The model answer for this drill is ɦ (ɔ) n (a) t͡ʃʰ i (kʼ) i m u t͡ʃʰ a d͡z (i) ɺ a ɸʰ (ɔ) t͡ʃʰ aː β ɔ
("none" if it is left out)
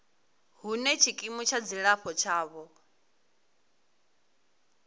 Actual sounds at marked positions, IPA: u, ɛ, kʼ, i, ɔ

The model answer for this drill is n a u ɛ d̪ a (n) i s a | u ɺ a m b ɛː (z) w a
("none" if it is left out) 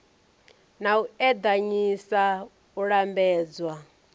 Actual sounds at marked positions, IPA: ɲ, d͡z

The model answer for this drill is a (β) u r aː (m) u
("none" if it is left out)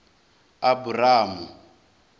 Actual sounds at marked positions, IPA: b, m

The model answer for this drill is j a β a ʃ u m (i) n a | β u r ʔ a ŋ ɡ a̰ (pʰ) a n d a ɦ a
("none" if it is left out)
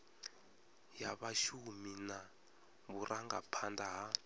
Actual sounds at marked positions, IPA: i, pʰ

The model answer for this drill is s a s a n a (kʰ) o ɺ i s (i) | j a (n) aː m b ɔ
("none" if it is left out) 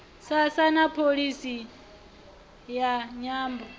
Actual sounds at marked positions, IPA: pʰ, i, ɲ

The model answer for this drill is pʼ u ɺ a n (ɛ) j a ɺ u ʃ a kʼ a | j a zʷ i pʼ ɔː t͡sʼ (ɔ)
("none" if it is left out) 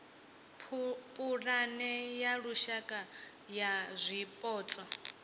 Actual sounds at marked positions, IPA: ɛ, ɔ

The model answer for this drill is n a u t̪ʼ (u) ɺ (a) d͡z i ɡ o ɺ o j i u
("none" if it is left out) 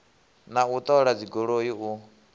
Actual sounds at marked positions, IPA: ɔ, a

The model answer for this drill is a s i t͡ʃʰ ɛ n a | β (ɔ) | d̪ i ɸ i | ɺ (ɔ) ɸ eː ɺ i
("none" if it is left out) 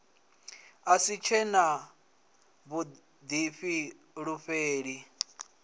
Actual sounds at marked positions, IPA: u, u

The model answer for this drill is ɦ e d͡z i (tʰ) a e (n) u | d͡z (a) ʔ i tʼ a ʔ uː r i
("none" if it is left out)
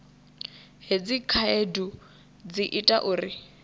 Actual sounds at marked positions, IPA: kʰ, d, i

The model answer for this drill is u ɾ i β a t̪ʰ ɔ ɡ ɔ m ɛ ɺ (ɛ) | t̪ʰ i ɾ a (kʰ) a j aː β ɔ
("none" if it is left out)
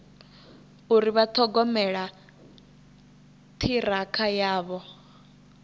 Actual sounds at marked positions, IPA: a, kʰ

